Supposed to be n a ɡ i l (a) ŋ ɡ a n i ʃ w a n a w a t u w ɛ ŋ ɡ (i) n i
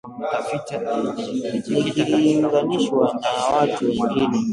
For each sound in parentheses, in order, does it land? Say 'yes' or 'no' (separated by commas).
no, yes